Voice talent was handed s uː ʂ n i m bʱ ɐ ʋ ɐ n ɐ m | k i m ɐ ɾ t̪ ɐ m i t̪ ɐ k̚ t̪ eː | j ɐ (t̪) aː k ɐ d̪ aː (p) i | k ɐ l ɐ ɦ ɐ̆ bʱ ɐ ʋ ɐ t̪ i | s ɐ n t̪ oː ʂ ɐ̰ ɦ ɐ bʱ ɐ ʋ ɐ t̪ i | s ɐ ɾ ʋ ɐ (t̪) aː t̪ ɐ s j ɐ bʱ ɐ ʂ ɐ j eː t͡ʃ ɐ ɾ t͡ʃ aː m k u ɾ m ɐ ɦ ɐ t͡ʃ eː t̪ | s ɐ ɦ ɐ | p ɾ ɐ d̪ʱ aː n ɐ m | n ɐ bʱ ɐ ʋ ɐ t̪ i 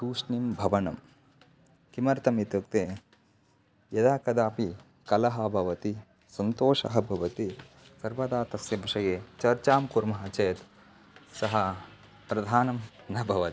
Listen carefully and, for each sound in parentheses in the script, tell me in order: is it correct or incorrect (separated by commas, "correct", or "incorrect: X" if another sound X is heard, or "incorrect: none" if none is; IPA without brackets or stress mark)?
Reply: incorrect: d̪, correct, incorrect: d̪